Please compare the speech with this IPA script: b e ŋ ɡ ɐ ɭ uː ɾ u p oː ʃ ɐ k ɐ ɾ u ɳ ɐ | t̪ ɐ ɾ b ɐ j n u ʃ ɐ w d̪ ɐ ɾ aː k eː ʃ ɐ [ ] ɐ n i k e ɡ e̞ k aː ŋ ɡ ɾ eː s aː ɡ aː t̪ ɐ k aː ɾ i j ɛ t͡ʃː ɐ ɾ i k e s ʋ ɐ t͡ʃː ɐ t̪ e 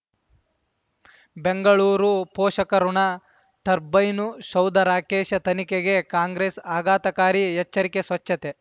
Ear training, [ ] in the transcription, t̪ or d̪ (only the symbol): t̪